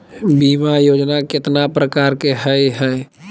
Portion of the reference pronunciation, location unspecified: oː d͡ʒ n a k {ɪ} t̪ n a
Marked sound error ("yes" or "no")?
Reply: no